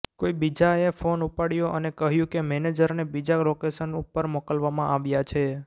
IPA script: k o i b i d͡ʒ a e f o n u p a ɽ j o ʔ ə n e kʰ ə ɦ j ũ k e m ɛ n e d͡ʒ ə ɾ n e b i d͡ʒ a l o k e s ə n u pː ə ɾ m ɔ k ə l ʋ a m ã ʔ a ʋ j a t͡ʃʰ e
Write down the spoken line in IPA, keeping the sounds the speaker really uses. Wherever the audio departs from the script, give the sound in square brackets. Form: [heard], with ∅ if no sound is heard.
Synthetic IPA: k o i b i d͡ʒ a e f o n u p a ɽ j o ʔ ə n e [k] ə ɦ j ũ k e m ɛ n e d͡ʒ ə ɾ n e b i d͡ʒ a l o k e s ə n u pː ə ɾ m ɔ k ə l ʋ a m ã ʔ a ʋ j a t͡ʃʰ e